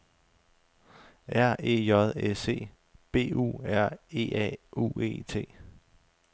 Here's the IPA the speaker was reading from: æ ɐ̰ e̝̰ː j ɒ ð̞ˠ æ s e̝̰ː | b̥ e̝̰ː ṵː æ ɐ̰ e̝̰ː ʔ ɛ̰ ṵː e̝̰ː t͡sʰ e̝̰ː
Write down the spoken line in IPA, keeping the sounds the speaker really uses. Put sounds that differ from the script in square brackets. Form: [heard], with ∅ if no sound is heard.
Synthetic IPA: æ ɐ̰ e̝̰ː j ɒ ð̞ˠ [e] s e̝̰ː | b̥ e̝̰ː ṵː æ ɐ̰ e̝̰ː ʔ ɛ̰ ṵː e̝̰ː t͡sʰ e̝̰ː